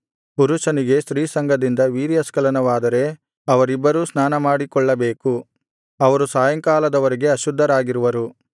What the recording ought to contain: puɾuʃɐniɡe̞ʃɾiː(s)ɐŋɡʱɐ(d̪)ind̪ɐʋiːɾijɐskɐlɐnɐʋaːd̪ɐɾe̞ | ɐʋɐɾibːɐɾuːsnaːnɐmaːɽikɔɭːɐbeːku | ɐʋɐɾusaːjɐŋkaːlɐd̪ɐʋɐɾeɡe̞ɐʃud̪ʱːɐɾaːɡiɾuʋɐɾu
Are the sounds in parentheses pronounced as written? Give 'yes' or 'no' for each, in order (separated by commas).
yes, yes